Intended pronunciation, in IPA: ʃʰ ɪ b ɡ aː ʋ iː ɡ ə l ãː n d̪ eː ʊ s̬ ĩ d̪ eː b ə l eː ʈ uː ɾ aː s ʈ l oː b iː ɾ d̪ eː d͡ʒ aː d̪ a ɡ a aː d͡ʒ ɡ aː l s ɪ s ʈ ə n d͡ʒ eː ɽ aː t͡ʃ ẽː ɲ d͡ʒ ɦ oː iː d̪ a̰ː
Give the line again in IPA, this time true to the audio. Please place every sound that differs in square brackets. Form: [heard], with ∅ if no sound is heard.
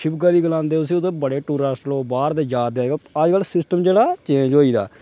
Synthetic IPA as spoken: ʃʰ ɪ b ɡ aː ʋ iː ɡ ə l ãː n d̪ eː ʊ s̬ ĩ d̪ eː b ə [ɽ] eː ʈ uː ɾ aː s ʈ l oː b [aː] ɾ d̪ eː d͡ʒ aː d̪ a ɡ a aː d͡ʒ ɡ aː l s ɪ s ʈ ə [m] d͡ʒ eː ɽ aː t͡ʃ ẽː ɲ d͡ʒ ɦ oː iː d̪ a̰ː